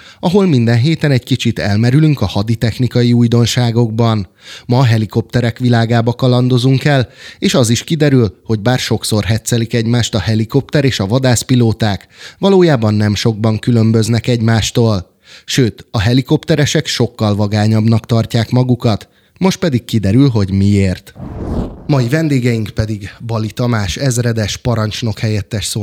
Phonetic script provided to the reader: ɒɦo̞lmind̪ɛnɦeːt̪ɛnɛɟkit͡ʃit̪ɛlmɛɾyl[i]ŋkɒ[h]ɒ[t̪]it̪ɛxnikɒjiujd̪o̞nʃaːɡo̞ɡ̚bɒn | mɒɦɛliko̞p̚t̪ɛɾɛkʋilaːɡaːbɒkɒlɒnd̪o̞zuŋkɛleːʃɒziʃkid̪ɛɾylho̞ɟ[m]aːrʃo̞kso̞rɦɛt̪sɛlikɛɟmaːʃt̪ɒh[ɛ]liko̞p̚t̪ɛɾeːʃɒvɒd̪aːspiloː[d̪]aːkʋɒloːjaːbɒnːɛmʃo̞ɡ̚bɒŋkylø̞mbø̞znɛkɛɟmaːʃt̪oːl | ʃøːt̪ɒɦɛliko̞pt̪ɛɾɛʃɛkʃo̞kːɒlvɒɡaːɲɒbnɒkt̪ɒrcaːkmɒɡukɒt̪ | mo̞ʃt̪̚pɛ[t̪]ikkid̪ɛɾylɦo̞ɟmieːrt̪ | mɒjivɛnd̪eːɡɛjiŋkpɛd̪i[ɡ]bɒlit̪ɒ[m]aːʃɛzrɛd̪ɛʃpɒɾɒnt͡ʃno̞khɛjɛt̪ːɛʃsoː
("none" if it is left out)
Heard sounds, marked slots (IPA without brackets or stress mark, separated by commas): y, h, d̪, b, ɛ, t̪, d̪, ɡ, m